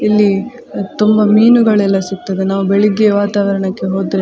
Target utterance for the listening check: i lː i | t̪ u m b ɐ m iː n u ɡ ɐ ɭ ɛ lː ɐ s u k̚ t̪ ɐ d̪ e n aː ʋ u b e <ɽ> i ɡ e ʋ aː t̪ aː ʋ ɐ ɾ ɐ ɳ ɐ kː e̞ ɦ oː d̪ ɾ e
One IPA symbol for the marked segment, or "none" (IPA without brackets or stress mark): ɭ